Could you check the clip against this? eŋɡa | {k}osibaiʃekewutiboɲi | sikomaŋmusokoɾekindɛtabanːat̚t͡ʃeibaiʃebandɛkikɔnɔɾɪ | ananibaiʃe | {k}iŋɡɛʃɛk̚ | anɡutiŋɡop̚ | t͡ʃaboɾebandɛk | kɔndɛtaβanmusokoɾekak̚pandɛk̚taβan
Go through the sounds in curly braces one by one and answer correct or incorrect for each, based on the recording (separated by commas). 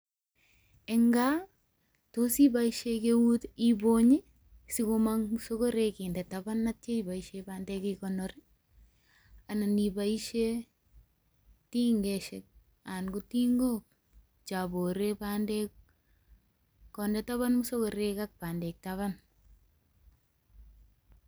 incorrect, incorrect